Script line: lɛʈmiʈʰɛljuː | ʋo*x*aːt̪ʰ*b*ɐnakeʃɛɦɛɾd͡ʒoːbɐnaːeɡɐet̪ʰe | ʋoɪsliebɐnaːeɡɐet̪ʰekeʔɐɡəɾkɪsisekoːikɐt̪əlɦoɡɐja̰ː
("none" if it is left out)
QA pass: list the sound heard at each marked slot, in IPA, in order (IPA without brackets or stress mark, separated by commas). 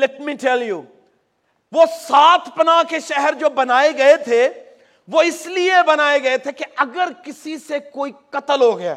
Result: s, p